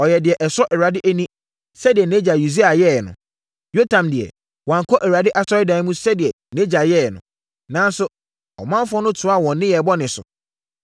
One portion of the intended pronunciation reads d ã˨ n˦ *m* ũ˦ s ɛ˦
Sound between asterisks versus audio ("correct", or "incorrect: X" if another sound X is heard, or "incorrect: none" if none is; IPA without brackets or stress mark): correct